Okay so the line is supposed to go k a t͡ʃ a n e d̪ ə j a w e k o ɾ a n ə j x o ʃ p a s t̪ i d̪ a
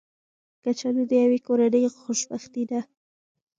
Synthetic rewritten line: k a t͡ʃ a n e d̪ ə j a w e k o ɾ a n ə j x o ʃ b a x t̪ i d̪ a